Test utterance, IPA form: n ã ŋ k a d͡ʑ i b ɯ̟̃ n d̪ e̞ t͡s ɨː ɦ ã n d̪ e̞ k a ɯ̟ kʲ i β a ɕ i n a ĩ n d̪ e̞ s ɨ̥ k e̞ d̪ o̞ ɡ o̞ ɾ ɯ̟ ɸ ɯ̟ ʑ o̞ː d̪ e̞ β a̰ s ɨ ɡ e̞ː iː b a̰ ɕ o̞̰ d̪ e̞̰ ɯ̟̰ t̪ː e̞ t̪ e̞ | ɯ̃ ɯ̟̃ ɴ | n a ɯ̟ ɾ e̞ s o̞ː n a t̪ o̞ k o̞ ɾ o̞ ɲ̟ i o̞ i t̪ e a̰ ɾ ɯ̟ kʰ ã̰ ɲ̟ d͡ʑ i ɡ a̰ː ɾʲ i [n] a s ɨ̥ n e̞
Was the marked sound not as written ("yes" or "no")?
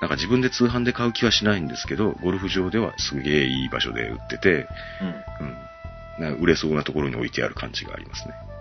yes